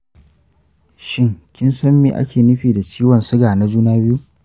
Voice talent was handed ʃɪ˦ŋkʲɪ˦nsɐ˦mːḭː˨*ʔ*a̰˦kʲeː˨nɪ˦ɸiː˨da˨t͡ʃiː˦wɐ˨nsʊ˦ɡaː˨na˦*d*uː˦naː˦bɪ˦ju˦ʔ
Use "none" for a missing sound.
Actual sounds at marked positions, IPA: ʔ, d͡ʒ

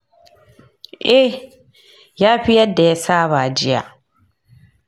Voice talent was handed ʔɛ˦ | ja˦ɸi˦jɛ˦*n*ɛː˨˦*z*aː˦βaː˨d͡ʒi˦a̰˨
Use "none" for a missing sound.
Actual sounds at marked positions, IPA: d, s

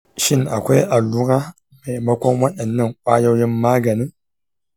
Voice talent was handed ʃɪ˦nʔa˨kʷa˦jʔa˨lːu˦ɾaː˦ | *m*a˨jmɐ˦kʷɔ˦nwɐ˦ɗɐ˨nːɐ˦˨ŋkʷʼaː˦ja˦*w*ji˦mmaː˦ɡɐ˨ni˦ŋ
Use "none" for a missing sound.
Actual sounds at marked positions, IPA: m, w

